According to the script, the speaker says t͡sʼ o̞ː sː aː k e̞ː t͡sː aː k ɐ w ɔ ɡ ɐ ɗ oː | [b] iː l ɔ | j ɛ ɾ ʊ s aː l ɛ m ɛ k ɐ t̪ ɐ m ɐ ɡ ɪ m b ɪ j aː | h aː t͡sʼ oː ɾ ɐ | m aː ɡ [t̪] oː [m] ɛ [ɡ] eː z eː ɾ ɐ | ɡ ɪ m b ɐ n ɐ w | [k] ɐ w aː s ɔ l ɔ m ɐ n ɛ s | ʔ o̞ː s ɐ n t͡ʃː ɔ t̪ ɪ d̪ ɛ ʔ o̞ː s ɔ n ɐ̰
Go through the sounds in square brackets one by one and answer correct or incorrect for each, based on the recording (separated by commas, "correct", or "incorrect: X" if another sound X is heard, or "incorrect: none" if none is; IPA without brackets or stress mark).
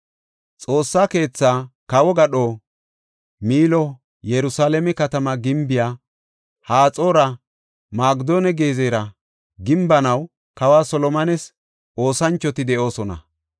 incorrect: m, incorrect: d̪, incorrect: n, correct, correct